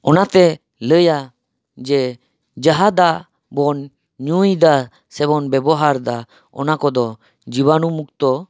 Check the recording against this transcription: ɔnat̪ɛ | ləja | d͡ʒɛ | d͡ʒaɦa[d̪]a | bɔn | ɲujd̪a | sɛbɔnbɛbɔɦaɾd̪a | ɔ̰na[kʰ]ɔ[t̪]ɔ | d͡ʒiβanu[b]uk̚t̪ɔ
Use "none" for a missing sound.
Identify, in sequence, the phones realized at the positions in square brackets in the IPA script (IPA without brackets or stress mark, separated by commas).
d̪, k, d̪, m